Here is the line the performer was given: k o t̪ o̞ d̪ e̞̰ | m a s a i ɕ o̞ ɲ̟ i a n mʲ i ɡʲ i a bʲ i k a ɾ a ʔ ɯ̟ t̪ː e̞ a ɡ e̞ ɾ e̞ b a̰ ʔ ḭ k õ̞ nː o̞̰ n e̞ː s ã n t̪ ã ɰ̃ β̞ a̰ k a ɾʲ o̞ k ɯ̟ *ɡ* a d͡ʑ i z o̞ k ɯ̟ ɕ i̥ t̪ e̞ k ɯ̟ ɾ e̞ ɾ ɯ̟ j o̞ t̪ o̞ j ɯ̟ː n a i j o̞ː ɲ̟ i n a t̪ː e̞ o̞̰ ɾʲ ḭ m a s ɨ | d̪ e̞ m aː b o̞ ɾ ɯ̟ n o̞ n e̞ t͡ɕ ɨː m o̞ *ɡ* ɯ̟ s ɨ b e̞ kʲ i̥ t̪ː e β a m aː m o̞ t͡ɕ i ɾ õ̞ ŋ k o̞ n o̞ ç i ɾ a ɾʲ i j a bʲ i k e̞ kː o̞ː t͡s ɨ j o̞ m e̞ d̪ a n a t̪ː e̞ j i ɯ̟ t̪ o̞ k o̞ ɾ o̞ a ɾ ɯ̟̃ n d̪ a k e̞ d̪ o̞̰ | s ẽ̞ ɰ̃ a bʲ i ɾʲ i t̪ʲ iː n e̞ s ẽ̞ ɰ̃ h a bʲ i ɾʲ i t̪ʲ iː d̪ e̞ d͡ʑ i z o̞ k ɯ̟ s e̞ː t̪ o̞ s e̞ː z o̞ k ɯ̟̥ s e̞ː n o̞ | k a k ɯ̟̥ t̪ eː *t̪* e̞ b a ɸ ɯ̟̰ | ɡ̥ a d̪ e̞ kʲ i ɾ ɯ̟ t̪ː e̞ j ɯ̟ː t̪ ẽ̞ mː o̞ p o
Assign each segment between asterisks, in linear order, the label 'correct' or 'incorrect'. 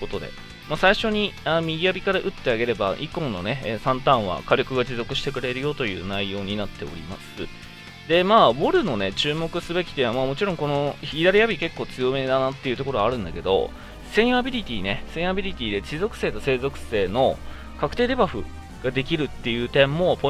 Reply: correct, incorrect, incorrect

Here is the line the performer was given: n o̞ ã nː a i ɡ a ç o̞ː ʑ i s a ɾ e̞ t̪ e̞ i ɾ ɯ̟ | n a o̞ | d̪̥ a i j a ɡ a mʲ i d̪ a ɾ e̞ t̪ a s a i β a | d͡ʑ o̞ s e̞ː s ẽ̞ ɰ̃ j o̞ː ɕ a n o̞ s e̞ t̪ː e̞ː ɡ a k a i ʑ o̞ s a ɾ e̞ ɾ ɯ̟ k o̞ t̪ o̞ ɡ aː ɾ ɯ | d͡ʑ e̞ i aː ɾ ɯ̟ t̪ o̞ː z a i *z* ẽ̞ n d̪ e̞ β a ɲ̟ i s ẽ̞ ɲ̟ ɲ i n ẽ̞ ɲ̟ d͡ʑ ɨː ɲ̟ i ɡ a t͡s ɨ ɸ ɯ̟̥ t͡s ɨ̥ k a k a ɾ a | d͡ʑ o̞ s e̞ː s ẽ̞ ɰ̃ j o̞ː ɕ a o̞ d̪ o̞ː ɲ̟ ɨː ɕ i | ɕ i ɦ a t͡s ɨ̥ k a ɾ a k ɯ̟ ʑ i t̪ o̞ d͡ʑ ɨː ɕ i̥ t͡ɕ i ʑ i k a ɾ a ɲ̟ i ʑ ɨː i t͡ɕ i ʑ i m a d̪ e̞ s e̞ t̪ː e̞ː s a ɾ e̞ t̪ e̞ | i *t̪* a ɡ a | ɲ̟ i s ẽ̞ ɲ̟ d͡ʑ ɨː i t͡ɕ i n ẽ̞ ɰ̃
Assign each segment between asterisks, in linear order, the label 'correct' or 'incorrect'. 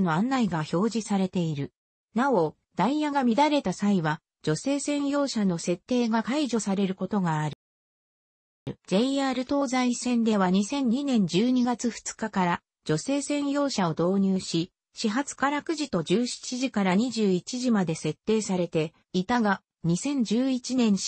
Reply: incorrect, correct

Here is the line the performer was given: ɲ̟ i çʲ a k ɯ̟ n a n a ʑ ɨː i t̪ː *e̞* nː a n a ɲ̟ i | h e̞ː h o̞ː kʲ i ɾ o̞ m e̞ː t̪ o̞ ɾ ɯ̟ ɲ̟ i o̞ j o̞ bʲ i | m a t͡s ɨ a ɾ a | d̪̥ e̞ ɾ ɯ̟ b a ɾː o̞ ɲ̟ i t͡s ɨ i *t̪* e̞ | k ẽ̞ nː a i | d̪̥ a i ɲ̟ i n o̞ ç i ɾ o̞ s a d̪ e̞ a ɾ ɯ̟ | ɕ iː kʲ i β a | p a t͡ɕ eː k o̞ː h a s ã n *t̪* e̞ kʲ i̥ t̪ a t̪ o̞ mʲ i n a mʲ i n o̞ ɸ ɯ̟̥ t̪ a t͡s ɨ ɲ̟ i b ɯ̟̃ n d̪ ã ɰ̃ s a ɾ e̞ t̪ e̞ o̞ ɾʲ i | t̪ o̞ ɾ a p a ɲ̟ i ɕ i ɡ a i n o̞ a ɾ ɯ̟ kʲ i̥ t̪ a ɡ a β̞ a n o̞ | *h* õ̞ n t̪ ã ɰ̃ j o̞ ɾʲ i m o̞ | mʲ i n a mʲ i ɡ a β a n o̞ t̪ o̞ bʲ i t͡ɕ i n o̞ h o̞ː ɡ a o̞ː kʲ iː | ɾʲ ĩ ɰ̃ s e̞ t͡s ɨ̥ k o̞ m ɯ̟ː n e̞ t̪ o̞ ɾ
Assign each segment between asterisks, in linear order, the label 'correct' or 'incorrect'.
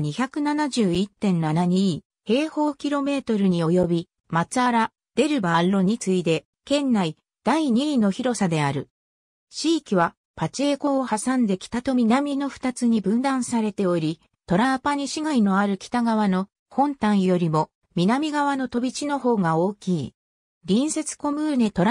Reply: incorrect, incorrect, incorrect, correct

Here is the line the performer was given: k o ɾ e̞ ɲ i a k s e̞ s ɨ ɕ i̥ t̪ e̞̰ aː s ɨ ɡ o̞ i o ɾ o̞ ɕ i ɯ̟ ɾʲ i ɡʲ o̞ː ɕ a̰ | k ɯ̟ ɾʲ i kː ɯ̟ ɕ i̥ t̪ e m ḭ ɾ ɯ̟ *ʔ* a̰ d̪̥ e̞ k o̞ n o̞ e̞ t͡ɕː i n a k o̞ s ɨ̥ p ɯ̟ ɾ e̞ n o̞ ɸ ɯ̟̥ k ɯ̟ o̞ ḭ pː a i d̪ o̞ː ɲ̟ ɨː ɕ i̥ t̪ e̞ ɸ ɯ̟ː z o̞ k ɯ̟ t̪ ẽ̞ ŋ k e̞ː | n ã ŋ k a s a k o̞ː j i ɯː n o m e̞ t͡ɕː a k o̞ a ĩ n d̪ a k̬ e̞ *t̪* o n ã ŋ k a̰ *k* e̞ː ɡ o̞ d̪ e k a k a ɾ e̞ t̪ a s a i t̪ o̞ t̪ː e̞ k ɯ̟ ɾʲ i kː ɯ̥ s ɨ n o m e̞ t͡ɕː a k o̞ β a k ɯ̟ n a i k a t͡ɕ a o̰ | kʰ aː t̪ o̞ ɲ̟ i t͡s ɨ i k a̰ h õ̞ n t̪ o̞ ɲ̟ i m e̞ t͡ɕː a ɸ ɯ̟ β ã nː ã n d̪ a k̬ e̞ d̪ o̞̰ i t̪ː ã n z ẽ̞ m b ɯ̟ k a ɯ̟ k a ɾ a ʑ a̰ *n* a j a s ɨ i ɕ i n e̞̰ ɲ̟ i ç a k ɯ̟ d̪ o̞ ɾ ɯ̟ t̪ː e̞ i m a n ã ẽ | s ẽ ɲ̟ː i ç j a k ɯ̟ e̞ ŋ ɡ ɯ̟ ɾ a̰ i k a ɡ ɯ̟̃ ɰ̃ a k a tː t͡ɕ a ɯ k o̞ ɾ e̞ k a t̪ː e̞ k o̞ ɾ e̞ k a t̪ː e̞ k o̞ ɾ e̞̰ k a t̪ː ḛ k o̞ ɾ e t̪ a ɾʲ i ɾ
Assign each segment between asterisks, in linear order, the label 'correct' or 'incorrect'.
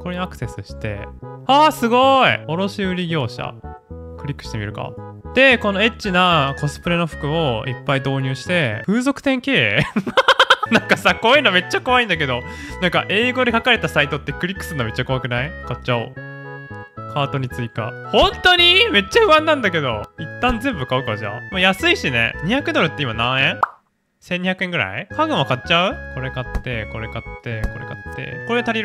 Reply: incorrect, incorrect, incorrect, incorrect

